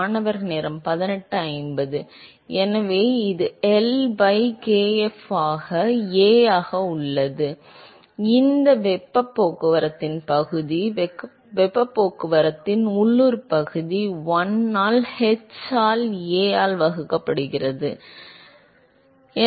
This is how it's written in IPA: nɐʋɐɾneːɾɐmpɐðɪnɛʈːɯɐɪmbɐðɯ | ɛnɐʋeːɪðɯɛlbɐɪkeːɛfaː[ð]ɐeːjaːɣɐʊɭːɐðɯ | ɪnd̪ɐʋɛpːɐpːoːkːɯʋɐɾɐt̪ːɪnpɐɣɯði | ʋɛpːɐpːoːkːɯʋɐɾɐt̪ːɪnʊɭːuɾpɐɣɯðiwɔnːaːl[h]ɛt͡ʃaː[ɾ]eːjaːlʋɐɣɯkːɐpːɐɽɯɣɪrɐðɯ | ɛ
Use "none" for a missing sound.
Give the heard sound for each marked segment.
ɣ, h, l

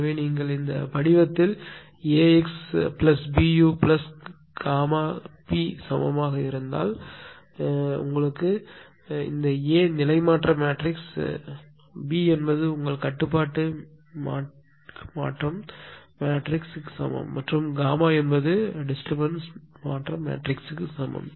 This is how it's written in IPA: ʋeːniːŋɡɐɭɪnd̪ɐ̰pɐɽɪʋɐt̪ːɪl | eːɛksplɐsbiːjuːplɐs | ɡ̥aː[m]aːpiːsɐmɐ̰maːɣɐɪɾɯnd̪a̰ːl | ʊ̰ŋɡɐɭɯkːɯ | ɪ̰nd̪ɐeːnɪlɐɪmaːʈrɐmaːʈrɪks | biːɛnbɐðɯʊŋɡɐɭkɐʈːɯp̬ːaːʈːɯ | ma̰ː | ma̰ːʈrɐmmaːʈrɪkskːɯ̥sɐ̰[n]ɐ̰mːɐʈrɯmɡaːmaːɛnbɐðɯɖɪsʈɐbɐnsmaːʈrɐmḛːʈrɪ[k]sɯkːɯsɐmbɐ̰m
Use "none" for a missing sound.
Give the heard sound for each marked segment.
m, m, k

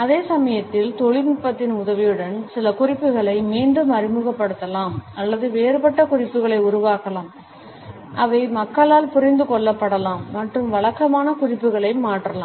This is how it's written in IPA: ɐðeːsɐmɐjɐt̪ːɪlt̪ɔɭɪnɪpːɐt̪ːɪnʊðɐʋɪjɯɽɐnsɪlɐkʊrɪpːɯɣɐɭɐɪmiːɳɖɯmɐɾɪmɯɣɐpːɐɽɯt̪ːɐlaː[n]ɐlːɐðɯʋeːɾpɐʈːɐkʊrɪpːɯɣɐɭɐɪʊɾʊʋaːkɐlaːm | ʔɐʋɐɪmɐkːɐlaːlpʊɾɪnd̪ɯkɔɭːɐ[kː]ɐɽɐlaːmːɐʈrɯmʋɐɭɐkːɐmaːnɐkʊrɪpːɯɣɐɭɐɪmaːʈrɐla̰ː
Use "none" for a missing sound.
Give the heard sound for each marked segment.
m, pː

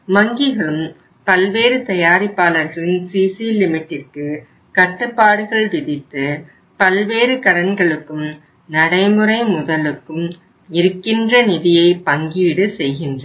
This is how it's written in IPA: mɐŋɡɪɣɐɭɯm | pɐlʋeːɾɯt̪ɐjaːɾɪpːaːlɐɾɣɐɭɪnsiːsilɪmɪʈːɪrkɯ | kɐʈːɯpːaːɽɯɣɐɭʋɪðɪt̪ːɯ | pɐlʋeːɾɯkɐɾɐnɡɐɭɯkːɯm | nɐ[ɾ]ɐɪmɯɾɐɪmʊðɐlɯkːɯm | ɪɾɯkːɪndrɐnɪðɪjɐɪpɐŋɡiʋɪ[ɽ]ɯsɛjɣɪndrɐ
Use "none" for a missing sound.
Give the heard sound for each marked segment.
ɽ, ɽ

